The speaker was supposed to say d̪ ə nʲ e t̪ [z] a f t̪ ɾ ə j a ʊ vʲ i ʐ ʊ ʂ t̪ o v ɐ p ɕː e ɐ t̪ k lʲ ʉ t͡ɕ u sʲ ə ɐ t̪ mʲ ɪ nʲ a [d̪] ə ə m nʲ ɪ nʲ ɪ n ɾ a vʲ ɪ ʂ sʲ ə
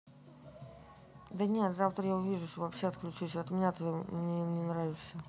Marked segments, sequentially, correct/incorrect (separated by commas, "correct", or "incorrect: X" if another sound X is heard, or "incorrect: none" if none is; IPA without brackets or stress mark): correct, incorrect: t̪